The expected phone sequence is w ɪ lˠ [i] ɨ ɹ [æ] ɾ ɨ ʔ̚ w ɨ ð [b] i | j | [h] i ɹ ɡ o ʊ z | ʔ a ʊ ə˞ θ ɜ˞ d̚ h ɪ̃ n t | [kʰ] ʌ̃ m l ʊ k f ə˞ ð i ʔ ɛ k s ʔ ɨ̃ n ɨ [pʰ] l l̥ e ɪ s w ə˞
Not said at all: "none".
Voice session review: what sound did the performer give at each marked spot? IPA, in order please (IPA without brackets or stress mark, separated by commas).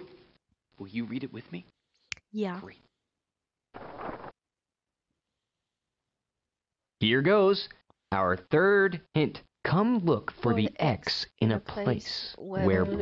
j, i, m, h, kʰ, pʰ